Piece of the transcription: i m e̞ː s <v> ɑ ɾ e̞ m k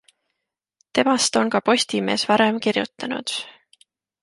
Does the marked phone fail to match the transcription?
no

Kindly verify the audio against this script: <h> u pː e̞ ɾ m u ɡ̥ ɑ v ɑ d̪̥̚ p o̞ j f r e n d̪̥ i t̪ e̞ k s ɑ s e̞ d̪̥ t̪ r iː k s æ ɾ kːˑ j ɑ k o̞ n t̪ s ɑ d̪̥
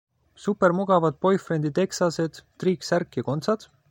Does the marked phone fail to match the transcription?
yes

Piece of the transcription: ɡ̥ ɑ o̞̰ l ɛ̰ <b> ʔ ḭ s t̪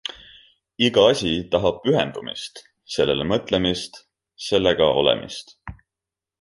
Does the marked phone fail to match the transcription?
yes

